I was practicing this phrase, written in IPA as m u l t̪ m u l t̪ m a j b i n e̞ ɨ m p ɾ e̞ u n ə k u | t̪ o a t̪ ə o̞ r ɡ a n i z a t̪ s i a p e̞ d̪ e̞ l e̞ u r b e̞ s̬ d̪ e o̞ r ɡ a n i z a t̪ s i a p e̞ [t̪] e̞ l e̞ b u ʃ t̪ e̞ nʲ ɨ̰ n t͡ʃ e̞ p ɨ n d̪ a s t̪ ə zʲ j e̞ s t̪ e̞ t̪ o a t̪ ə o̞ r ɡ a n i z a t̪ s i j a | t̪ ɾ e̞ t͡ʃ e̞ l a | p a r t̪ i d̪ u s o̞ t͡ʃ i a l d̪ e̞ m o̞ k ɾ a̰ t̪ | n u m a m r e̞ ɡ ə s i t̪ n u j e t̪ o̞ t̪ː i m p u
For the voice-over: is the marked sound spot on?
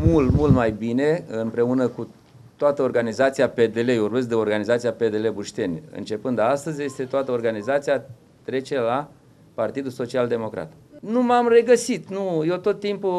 no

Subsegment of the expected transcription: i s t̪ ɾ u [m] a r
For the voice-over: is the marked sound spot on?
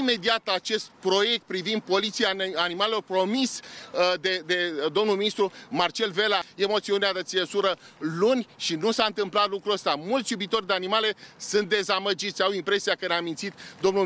yes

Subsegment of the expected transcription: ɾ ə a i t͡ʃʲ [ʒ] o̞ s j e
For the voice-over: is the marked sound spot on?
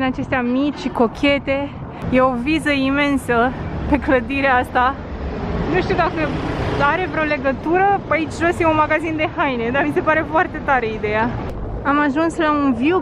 yes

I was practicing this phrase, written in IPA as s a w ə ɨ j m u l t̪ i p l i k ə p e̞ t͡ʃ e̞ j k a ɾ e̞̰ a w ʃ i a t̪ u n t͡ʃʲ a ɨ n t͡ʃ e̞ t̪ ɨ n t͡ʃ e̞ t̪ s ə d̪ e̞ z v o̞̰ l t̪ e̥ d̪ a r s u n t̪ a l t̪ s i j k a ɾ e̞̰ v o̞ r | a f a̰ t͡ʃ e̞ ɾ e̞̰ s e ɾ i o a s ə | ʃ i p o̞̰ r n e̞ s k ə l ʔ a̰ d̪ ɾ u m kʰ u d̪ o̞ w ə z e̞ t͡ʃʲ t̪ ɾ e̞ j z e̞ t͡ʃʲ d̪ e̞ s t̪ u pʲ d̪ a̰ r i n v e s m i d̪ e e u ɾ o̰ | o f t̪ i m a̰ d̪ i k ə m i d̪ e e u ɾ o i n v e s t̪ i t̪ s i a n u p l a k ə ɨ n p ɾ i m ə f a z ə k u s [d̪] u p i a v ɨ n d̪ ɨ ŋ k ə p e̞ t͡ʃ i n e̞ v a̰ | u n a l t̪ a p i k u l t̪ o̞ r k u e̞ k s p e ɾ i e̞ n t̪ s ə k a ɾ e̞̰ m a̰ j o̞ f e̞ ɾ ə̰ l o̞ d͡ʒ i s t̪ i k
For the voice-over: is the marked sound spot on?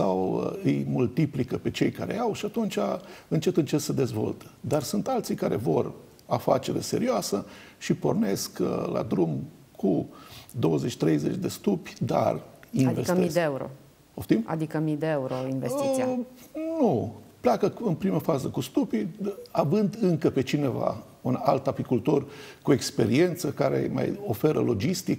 no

